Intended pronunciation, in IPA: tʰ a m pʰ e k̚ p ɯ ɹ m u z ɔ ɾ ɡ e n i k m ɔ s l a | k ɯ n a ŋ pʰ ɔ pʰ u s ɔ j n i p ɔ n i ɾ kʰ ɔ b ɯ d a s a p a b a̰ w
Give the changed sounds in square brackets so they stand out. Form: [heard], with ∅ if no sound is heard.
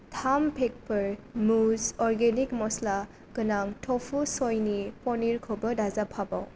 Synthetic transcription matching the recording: tʰ a m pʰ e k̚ p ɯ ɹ m u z ɔ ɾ ɡ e n i k m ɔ s l a | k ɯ n a ŋ [tʰ] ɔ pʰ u s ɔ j n i p ɔ n i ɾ kʰ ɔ b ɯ d a [z] a [pʰ] a b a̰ w